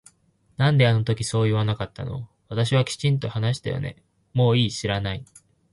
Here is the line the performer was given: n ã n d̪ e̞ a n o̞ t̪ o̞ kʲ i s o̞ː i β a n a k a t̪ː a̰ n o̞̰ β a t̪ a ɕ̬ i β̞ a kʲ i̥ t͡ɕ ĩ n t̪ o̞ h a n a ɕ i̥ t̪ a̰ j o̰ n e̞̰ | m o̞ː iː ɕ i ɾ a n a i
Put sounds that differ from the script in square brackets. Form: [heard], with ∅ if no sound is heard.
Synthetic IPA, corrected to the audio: n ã n d̪ e̞ a n o̞ t̪ o̞ kʲ i s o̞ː i β a n a k a t̪ː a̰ n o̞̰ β a t̪ a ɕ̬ i β̞ a kʲ i̥ t͡ɕ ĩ n t̪ o̞ h a n a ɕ i̥ t̪ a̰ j o̰ n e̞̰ | m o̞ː iː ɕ i ɾ a n a i